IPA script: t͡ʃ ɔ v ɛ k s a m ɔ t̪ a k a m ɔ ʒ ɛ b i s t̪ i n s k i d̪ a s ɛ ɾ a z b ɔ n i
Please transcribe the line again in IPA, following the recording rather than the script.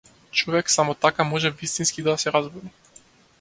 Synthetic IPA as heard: t͡ʃ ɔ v ɛ k s a m ɔ t̪ a k a m ɔ ʒ ɛ v i s t̪ i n s k i d̪ a s ɛ ɾ a z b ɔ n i